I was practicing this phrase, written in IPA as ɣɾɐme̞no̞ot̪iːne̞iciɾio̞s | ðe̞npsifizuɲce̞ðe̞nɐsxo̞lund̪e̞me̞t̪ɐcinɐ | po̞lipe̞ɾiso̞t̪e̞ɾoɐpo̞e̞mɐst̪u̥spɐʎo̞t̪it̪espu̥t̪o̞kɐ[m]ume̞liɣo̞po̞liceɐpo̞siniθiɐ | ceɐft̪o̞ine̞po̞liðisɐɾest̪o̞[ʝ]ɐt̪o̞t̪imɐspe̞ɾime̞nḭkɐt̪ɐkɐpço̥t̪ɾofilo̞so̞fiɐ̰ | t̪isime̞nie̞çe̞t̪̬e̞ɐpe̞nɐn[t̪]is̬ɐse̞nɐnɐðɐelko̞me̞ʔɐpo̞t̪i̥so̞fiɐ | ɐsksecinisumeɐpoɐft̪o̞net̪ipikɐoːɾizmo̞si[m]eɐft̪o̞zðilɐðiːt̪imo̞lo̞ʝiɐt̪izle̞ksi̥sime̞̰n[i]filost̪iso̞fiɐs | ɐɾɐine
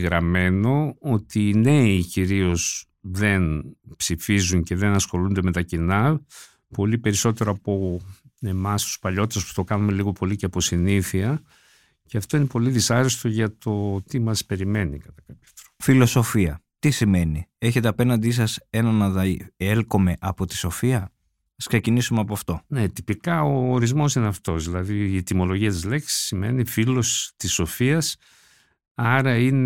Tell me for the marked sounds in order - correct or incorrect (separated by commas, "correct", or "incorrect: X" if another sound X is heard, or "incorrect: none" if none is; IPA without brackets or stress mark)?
incorrect: n, correct, incorrect: d̪, incorrect: n, correct